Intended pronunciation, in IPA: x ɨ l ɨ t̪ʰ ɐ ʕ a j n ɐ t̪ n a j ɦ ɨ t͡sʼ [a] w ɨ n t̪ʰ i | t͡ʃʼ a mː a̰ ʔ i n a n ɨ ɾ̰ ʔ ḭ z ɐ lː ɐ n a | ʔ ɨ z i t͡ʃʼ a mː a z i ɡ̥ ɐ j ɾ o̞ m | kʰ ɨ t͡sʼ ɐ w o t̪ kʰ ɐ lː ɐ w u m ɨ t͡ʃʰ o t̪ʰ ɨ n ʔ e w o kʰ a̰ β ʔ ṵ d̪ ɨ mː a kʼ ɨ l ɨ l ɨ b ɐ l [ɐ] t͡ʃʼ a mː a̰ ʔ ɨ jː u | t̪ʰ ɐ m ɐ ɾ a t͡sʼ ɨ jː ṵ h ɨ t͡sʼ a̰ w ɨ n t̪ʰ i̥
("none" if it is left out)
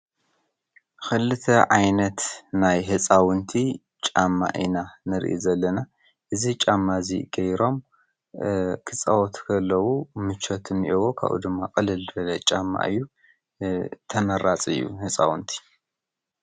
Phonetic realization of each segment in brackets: a, ɐ

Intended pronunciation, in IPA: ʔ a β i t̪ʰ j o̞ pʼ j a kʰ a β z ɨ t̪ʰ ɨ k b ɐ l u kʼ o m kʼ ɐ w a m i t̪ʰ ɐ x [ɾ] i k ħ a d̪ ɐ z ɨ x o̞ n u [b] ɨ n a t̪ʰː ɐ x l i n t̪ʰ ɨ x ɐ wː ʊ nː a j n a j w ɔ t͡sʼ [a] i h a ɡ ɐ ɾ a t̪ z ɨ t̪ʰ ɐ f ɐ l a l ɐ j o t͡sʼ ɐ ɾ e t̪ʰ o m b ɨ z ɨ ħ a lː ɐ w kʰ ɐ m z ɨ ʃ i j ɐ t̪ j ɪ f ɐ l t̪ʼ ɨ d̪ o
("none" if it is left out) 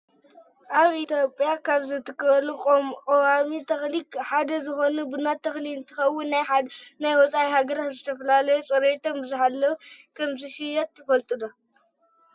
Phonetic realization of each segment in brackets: l, b, a

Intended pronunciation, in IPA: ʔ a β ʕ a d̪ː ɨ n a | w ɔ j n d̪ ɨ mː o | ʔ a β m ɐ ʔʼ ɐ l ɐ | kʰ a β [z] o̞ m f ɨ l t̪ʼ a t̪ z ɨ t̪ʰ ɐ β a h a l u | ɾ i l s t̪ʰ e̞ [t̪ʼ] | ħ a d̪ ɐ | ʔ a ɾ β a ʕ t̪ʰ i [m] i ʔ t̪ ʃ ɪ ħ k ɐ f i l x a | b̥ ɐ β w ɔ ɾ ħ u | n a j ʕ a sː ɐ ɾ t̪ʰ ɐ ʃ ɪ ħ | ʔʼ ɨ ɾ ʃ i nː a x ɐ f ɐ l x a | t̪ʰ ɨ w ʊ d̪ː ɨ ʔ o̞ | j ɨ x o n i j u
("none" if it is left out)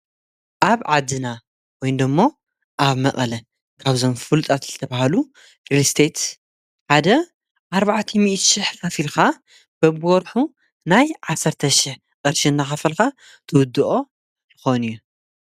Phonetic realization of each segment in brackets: z, t̪, m

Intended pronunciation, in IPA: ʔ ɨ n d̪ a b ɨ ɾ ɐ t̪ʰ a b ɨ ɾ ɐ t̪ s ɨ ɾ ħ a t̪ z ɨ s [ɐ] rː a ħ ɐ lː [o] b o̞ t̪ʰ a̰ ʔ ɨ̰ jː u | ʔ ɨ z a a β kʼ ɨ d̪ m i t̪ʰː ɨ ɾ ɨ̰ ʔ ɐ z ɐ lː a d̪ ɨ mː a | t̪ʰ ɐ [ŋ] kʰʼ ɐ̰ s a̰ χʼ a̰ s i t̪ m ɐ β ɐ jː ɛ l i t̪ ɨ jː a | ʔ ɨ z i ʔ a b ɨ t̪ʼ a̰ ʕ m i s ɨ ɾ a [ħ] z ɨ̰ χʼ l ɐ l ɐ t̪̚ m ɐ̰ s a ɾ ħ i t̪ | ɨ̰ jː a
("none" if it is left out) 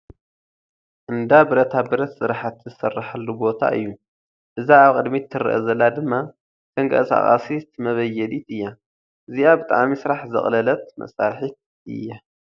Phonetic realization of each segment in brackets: ɐ, u, ŋ, ħ

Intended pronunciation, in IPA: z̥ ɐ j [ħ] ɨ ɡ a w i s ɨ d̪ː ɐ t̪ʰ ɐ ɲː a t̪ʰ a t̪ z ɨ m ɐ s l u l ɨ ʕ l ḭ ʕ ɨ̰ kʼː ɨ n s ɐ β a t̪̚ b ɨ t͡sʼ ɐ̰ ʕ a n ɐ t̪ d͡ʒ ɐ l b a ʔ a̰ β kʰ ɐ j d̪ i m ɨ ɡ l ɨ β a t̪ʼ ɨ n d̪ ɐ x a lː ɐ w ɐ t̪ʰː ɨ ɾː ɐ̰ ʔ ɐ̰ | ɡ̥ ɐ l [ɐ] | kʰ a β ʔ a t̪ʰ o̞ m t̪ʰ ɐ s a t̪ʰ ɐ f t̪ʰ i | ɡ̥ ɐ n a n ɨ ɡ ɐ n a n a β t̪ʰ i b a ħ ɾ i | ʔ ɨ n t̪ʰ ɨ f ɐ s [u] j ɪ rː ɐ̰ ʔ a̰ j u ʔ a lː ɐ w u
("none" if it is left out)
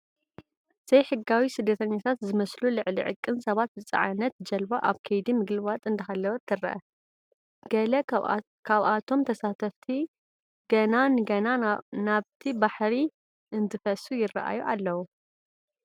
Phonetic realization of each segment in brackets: ħ, ɐ, u

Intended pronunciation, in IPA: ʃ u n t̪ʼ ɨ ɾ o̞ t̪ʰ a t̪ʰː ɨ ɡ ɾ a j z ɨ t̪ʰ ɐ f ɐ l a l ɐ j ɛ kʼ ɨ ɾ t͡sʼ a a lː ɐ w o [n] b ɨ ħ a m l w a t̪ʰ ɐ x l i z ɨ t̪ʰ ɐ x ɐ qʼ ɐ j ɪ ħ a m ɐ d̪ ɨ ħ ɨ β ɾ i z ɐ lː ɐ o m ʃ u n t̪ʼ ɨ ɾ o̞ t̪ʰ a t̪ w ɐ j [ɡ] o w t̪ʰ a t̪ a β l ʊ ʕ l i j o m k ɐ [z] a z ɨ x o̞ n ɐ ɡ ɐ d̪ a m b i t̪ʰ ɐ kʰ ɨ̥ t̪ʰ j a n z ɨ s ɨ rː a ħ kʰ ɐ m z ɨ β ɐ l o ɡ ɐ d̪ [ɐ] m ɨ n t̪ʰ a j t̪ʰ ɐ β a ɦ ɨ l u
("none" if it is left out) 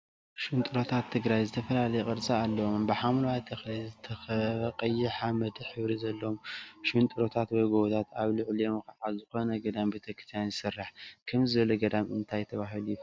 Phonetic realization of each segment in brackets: m, ɡ, ʕ, a

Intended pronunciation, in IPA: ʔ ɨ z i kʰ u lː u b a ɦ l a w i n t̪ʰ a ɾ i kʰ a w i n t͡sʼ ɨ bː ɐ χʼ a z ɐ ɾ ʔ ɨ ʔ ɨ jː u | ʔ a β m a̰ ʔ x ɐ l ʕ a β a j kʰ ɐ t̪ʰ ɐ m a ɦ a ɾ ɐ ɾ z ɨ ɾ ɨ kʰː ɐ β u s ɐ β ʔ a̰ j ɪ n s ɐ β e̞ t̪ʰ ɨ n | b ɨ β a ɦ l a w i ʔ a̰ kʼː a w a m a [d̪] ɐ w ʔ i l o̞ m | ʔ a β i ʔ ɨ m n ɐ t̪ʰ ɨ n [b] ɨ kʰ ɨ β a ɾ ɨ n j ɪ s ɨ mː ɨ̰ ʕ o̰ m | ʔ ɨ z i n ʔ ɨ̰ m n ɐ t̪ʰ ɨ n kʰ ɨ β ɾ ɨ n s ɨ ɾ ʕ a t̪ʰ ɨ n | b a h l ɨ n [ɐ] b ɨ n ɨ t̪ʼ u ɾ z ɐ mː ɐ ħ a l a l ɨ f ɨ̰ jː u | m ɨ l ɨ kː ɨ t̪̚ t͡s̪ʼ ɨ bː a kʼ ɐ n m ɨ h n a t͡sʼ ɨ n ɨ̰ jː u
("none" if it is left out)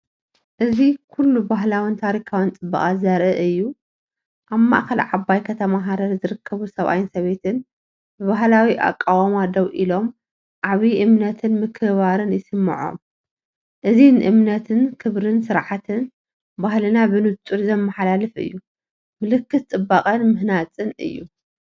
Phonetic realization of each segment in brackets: d̪, m, a

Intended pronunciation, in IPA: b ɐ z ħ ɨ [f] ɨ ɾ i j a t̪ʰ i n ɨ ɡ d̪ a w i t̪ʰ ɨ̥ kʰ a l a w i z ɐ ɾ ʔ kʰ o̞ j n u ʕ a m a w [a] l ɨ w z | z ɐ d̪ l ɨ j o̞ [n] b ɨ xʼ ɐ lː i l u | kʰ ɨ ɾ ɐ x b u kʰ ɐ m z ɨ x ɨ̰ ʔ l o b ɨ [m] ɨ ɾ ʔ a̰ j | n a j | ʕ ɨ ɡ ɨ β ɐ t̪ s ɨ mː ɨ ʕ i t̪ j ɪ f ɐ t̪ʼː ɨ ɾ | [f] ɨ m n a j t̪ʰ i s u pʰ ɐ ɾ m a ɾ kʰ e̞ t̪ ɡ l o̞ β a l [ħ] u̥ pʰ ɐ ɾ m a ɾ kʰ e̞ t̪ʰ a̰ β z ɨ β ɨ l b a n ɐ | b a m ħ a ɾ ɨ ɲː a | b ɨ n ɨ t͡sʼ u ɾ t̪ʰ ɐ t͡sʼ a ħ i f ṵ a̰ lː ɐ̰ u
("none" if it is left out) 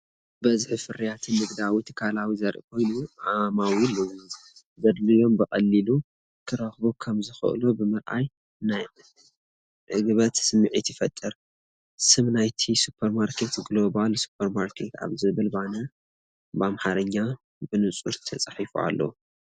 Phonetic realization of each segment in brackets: f, i, m, m, s, s

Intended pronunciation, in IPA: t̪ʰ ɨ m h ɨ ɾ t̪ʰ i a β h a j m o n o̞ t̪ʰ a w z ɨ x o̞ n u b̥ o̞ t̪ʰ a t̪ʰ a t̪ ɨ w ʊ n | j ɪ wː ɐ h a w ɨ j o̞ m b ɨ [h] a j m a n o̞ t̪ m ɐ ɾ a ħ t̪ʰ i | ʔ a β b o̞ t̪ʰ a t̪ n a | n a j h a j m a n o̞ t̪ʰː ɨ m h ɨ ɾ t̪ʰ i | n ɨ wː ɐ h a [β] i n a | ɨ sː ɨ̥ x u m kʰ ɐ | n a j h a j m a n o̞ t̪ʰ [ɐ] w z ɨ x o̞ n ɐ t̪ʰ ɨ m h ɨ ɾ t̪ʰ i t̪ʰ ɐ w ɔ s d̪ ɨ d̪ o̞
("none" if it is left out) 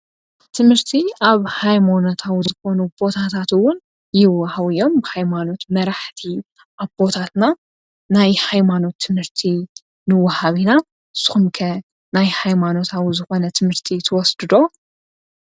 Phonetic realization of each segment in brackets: h, β, a

